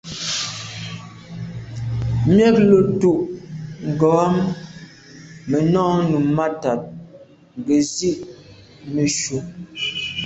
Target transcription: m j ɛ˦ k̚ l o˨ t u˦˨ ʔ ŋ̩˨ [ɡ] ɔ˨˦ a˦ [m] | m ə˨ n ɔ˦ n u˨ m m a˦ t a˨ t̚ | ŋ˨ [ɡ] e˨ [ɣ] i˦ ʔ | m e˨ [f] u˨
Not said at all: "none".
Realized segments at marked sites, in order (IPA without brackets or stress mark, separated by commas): ɡ, m, ɡ, z, ʃ